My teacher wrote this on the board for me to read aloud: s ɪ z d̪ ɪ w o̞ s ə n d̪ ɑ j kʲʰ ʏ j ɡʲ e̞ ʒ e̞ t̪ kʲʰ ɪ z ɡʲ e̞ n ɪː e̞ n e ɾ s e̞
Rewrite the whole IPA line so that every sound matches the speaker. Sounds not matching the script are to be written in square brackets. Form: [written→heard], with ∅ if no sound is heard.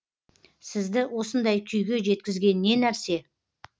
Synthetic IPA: s ɪ z d̪ ɪ w o̞ s ə n d̪ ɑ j kʲʰ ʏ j ɡʲ e̞ ʒ e̞ t̪ [kʲʰ→kʲ] ɪ z ɡʲ e̞ n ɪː e̞ n [e→æ] ɾ s e̞